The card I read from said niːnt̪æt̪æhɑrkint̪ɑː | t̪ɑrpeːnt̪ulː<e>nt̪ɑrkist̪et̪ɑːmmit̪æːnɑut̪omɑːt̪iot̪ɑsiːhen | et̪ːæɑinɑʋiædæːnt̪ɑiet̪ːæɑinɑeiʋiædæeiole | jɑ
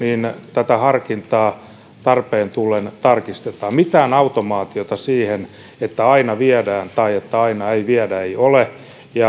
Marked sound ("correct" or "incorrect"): correct